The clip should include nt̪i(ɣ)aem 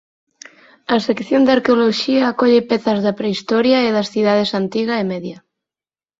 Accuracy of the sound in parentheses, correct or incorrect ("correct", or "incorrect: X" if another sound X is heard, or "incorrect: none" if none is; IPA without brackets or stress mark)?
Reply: correct